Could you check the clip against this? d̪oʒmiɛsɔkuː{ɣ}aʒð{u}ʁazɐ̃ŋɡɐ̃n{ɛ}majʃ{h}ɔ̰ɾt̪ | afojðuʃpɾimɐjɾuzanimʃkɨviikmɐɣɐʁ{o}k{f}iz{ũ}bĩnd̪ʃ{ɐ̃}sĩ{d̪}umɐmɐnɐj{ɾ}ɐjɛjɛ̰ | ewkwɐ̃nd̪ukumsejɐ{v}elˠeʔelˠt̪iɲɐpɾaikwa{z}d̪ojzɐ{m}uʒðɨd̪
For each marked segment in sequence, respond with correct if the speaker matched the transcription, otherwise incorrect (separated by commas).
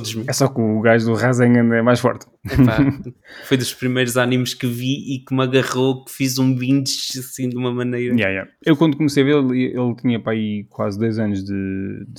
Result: correct, correct, correct, incorrect, correct, correct, correct, incorrect, correct, correct, correct, correct, incorrect